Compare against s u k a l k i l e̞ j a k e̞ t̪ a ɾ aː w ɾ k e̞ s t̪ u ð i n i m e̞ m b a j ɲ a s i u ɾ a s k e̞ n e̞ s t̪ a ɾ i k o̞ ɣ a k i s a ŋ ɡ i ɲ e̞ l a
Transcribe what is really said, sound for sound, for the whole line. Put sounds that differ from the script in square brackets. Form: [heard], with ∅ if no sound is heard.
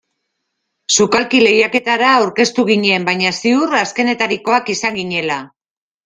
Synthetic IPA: s u k a l k i l e̞ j a k e̞ t̪ a ɾ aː w ɾ k e̞ s t̪ u [ɣ] i [ɲ] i [∅] e̞ m b a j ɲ a s i u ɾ a s k e̞ n e̞ [∅] t̪ a ɾ i k o̞ [∅] a k i s a ŋ ɡ i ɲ e̞ l a